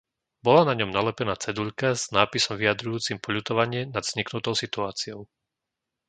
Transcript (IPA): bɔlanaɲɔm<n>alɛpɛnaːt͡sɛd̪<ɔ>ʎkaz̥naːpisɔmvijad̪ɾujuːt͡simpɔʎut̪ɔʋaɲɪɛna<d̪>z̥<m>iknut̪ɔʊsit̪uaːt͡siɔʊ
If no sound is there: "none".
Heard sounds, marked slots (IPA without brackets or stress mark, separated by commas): n, u, d̪, ɲ